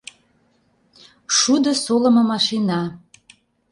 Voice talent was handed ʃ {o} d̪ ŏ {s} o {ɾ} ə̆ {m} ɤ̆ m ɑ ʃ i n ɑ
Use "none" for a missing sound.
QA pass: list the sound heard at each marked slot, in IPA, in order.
u, s, l, m

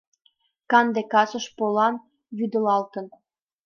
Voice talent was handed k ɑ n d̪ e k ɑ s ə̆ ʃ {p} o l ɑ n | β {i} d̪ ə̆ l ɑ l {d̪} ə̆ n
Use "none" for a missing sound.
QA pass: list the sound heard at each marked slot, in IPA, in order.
p, y, t̪

